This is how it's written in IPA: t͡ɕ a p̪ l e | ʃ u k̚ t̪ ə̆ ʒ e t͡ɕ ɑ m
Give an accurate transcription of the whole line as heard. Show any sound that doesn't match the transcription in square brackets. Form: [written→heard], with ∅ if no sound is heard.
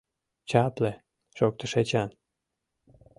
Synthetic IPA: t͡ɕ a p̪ l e | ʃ [u→o] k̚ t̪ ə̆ [ʒ→ʃ] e t͡ɕ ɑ [m→n]